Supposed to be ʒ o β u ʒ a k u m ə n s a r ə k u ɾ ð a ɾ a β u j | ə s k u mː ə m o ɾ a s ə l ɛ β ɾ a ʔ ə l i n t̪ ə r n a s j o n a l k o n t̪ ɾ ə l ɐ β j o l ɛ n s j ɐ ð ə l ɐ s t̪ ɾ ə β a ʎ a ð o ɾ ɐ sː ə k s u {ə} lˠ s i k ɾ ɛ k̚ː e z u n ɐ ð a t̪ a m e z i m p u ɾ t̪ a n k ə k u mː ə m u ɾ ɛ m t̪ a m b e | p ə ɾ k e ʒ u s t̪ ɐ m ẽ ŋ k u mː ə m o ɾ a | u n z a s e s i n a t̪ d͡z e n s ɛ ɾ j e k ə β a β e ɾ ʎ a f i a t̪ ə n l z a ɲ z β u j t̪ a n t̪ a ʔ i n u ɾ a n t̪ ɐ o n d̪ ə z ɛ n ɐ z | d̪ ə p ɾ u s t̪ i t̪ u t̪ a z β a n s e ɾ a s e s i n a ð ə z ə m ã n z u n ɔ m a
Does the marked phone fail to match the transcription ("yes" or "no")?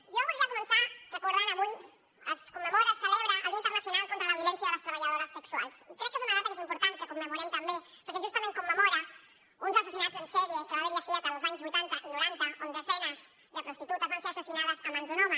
yes